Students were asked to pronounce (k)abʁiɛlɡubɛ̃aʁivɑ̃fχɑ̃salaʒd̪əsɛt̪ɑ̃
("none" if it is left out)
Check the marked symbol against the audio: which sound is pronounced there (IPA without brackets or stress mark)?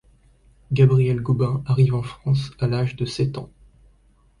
ɡ